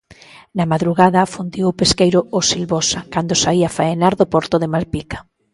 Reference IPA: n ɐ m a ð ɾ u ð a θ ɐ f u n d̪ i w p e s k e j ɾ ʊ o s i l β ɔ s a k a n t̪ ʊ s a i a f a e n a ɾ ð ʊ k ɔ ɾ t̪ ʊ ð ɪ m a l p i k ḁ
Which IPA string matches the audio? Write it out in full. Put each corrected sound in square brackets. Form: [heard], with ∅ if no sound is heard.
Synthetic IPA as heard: n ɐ m a ð ɾ u [ɣ] a [ð] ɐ f u n d̪ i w p e s k e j ɾ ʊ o s i l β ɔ s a k a n [d̪] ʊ s a i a f a e n a ɾ ð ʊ [p] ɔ ɾ t̪ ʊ ð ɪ m a l p i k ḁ